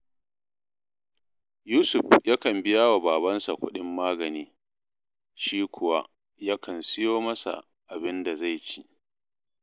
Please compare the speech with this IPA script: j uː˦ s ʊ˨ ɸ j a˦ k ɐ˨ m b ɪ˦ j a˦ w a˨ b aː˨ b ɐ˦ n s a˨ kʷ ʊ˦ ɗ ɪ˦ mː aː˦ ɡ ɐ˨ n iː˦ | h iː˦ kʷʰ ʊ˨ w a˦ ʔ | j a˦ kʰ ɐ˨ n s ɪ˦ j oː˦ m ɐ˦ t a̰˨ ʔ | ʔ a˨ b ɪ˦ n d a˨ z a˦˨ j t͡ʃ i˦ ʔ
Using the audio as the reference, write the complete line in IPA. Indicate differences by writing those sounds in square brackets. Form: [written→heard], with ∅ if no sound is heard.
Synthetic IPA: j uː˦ s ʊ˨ ɸ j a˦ k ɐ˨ m b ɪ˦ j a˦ w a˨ b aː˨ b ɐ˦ n s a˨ kʷ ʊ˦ ɗ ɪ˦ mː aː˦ ɡ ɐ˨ n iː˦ | [h→ʃ] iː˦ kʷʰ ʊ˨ w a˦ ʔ | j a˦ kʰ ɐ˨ n s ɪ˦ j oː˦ m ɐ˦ [t→s] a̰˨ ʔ | ʔ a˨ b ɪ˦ n d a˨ z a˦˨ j t͡ʃ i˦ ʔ